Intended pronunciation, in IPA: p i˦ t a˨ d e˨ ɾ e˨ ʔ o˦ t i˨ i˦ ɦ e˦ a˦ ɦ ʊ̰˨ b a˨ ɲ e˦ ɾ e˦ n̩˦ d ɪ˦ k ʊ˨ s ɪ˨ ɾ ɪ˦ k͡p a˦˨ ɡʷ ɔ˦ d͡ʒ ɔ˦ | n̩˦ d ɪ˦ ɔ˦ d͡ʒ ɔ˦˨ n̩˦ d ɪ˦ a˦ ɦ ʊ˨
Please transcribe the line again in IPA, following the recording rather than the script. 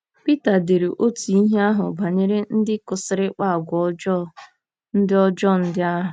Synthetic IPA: p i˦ t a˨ d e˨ ɾ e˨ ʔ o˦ t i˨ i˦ ɦ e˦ a˦ ɦ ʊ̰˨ b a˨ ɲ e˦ ɾ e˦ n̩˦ d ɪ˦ k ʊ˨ s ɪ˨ ɾ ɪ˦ k͡p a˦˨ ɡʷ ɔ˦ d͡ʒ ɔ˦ | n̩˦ d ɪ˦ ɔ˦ d͡ʒ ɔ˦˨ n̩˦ d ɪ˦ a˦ ɦ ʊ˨